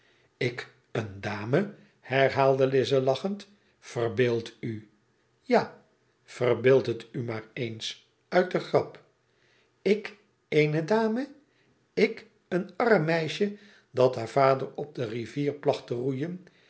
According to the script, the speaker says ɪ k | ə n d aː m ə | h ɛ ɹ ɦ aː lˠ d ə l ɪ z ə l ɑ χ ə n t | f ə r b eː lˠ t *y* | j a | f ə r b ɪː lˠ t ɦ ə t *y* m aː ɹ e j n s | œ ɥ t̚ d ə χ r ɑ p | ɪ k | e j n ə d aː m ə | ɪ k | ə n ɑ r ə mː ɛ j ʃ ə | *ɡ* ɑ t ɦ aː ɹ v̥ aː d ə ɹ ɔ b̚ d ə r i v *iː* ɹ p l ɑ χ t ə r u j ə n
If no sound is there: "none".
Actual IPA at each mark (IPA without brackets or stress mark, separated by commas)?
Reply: y, y, d, iː